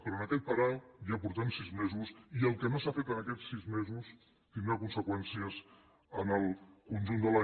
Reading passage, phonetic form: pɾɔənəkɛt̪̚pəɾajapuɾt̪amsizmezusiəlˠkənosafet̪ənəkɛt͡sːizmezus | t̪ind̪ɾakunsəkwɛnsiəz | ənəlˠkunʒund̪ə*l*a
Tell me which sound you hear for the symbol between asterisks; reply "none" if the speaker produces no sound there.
l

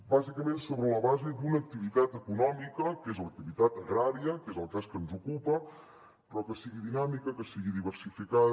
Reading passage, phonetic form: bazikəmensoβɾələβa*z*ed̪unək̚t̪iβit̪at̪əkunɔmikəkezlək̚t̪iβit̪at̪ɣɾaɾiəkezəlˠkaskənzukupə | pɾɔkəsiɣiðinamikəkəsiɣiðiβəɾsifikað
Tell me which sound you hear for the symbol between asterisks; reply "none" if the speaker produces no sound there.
z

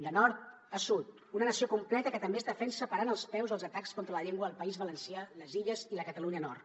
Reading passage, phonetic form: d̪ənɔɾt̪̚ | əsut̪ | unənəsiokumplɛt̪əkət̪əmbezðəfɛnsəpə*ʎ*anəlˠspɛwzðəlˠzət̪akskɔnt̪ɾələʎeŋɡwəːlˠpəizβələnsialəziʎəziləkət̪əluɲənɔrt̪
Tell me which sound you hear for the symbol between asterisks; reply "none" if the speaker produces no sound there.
ɾ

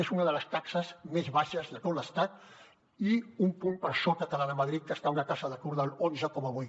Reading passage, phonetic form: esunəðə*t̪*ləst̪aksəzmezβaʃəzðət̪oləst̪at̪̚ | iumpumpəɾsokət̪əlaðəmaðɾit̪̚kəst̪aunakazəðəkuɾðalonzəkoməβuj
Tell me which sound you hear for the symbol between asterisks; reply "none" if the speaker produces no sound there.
none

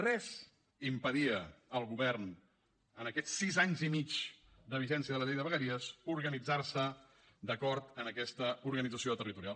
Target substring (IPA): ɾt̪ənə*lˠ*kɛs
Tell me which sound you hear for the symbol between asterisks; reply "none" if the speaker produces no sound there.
none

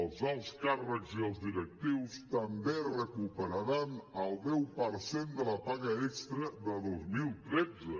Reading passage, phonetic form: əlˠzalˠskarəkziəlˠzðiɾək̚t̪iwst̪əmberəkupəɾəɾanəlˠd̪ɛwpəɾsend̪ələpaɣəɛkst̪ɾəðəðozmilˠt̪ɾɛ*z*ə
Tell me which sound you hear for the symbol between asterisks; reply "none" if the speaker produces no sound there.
d͡z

